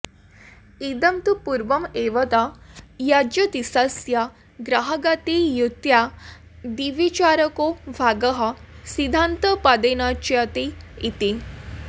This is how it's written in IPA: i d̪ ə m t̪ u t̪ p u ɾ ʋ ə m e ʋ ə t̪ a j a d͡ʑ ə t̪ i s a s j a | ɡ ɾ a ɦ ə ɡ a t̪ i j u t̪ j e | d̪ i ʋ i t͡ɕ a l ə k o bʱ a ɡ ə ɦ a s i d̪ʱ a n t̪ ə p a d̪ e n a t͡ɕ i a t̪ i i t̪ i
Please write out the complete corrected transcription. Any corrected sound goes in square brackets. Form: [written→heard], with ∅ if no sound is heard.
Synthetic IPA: i d̪ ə m t̪ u [t̪→∅] p u ɾ ʋ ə m e ʋ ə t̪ a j a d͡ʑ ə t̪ i s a s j a | ɡ ɾ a ɦ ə ɡ a t̪ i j u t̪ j [e→a] | d̪ i ʋ i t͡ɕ a [l→ɾ] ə k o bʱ a ɡ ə ɦ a s i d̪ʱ a n t̪ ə p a d̪ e n a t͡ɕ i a t̪ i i t̪ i